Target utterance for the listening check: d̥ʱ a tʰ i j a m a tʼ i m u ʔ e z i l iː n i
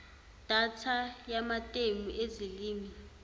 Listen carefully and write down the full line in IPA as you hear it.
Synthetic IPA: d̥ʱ a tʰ a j a m a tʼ e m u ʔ e z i l iː m i